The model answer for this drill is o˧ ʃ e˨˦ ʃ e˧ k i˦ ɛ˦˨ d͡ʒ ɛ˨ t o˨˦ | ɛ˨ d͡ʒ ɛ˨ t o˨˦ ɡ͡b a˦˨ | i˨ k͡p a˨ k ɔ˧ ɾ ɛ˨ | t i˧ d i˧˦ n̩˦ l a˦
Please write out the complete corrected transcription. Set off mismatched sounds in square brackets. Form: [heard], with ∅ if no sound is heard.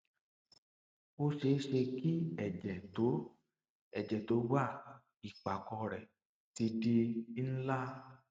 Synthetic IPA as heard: o˧ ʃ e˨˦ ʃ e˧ k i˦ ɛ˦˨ d͡ʒ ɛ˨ t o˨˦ | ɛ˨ d͡ʒ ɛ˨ t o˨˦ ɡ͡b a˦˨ | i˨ k͡p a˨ k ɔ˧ ɾ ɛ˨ | t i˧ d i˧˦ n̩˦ l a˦